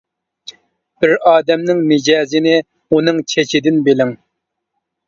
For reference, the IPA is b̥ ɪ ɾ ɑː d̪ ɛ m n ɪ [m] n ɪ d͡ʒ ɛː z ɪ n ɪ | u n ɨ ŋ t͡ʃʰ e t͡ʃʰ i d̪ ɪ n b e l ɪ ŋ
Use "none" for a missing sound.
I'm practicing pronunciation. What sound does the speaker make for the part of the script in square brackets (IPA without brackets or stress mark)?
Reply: ŋ